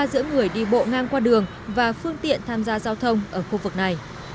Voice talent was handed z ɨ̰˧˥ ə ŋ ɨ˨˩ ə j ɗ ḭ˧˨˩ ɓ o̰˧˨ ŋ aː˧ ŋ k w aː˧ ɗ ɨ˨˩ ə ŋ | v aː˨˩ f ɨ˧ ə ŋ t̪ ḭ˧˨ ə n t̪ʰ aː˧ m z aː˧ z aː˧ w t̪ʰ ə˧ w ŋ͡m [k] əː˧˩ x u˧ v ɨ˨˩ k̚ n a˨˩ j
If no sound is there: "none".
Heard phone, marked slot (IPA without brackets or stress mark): ʔ